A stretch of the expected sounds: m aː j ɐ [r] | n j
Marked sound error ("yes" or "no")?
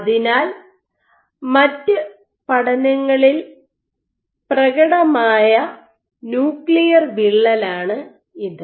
yes